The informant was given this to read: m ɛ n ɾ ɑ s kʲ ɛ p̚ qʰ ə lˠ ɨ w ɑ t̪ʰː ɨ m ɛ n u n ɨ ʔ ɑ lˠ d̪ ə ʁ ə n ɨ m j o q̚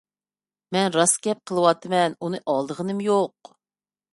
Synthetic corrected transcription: m ɛ n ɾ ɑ s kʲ ɛ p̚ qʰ ə lˠ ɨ w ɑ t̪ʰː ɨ m ɛ n u n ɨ ʔ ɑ lˠ d̪ ə ʁ ə n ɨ m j o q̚

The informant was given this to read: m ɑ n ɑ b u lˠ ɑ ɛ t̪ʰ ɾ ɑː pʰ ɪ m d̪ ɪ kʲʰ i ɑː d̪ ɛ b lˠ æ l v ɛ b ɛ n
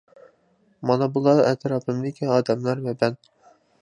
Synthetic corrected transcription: m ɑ n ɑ b u lˠ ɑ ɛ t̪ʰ ɾ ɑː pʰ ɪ m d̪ ɪ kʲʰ i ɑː d̪ ɛ m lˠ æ ɾ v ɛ b ɛ n

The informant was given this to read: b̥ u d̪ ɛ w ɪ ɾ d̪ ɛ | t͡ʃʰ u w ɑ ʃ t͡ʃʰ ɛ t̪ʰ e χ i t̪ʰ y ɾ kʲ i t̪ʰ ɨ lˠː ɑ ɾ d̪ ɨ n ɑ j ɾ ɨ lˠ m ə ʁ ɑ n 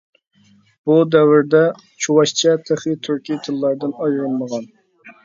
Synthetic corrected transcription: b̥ u d̪ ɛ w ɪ ɾ d̪ ɛ | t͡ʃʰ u w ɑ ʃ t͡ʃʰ ɛ t̪ʰ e χ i t̪ʰ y ɾ kʲ i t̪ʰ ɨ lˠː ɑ ɾ d̪ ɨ n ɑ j ɾ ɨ lˠ m ə ʁ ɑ n

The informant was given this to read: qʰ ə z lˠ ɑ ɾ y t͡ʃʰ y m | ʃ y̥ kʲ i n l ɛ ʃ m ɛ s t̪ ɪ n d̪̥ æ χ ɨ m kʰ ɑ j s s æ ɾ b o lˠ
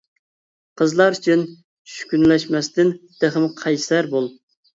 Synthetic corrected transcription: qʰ ə z lˠ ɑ ɾ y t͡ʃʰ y n | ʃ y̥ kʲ y n l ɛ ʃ m ɛ s t̪ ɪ n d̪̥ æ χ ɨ m qʰ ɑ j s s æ ɾ b o lˠ

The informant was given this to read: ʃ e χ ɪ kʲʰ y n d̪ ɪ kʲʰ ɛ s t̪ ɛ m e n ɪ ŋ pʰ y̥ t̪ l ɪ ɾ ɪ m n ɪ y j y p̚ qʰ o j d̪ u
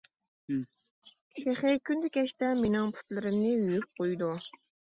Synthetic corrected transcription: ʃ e χ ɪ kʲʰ y n d̪ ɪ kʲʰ ɛ ʃ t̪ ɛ m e n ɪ ŋ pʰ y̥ t̪ l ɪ ɾ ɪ m n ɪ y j y p̚ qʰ o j d̪ u

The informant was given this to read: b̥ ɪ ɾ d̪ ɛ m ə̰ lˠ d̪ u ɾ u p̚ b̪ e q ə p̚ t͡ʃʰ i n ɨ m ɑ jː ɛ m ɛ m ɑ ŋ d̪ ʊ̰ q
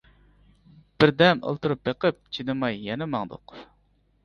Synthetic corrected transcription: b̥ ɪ ɾ d̪ ɛ m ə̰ lˠ t̪ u ɾ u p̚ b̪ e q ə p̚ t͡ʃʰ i n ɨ m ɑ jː ɛ n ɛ m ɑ ŋ d̪ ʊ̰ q

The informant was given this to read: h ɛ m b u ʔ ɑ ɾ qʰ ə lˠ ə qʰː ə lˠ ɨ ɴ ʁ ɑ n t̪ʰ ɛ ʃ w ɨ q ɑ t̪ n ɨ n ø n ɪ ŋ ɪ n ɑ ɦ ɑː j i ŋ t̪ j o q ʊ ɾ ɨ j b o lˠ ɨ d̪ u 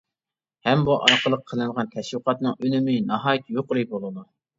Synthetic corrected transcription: h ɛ m b u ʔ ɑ ɾ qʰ ə lˠ ə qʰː ə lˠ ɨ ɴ ʁ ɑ n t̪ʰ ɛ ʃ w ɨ q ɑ t̪ n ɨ ŋ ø n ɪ m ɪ n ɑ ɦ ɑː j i t̪ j o q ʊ ɾ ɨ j b o lˠ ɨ d̪ u

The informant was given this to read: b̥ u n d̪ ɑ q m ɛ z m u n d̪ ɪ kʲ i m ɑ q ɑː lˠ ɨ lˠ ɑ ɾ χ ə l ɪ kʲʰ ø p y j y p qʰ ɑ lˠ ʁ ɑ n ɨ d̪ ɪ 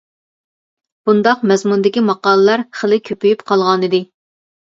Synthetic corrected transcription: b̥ u n d̪ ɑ q m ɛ z m u n d̪ ɪ kʲ i m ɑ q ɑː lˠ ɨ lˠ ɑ ɾ χ ə l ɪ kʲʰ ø p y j y p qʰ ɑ lˠ ʁ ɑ n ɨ d̪ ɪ

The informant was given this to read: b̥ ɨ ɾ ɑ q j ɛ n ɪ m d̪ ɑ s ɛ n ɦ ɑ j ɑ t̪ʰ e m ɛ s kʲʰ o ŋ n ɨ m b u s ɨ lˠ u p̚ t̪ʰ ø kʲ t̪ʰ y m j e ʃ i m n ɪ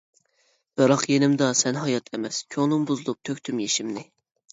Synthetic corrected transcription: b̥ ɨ ɾ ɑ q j e n ɪ m d̪ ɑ s ɛ n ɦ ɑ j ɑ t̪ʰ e m ɛ s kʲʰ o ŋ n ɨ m b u z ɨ lˠ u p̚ t̪ʰ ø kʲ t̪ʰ y m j e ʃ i m n ɪ

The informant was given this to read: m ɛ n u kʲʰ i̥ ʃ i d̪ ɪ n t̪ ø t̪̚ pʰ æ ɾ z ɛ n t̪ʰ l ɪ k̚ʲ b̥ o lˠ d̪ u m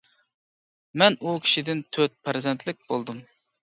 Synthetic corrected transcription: m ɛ n u kʲʰ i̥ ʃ i d̪ ɪ n t̪ʰ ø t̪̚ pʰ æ ɾ z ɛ n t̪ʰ l ɪ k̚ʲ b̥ o lˠ d̪ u m

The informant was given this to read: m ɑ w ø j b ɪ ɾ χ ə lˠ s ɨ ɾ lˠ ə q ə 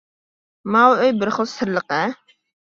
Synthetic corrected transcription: m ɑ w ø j b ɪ ɾ χ ə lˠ s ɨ ɾ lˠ ə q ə

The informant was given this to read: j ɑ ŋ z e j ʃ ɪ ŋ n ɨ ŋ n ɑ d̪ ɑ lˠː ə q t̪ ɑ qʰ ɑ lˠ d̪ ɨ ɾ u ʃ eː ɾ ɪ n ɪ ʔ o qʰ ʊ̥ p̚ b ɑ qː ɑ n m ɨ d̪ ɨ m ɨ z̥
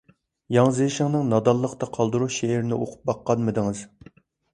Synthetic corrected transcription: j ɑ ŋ z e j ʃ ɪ ŋ n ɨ ŋ n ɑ d̪ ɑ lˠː ə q t̪ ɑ qʰ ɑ lˠ d̪ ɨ ɾ u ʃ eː ɾ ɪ n ɪ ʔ o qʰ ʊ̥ p̚ b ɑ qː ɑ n m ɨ d̪ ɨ ŋ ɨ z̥

